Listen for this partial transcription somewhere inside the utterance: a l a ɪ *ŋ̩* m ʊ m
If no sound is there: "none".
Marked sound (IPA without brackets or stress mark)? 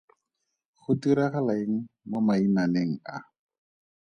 ŋ̩